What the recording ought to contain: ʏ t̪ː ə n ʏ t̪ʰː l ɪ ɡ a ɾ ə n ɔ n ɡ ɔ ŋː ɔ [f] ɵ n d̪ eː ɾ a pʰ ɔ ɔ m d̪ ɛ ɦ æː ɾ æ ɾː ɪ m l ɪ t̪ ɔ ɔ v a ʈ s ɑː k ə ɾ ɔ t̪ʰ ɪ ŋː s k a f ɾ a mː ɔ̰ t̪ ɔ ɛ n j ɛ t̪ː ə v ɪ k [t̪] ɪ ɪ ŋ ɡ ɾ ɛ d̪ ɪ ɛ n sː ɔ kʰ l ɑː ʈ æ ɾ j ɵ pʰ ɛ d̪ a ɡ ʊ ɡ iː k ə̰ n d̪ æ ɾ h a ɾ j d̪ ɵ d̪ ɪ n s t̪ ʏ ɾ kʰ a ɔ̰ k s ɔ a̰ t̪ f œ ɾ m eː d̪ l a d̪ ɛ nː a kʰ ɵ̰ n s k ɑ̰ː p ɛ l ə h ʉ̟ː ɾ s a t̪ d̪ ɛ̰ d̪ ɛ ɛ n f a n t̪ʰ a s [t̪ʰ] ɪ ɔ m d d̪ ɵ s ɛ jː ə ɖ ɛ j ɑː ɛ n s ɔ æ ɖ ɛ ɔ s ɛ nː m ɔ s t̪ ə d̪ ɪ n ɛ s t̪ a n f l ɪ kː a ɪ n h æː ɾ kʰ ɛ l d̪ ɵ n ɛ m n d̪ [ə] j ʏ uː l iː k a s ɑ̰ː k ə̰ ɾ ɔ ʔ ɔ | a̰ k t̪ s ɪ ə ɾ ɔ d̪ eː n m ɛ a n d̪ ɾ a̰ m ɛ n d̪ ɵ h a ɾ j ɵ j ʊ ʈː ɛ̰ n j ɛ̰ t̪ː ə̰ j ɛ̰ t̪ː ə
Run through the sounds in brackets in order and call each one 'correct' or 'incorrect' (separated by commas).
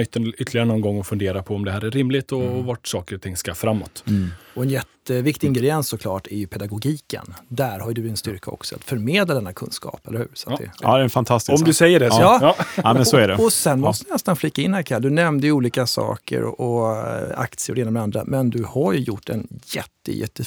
correct, correct, incorrect, correct